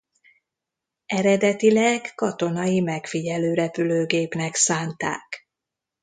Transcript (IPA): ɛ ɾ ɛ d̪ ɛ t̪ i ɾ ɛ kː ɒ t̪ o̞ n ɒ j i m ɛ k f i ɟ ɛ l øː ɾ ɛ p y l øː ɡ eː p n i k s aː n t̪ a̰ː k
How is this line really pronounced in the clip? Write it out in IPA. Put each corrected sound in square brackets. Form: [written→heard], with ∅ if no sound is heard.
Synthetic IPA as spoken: ɛ ɾ ɛ d̪ ɛ t̪ i [ɾ→l] ɛ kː ɒ t̪ o̞ n ɒ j i m ɛ k f i ɟ ɛ l øː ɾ ɛ p y l øː ɡ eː p n [i→ɛ] k s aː n t̪ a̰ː k